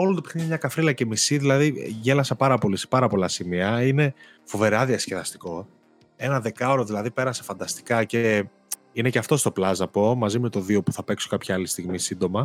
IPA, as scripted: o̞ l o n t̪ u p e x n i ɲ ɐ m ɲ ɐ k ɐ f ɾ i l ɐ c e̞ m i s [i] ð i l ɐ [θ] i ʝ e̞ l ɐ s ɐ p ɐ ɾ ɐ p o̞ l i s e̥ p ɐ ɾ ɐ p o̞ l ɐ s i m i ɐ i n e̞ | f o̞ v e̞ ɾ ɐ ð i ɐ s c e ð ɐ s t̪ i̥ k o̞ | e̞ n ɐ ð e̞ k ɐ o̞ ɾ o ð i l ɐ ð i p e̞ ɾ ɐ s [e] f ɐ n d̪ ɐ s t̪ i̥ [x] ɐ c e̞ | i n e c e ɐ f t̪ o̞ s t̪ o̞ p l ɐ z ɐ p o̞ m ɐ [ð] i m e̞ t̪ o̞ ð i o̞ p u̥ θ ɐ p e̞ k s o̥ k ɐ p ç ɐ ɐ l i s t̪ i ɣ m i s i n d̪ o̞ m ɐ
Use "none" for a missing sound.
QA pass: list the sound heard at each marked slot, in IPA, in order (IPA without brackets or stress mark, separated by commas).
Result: i, ð, e, k, z